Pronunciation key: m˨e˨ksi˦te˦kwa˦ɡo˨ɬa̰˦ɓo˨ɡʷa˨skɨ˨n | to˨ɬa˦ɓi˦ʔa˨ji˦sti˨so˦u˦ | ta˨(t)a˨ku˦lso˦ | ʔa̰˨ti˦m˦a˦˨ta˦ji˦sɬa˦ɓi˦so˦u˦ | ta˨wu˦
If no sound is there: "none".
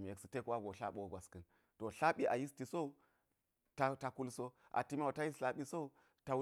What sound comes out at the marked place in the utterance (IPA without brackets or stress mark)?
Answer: t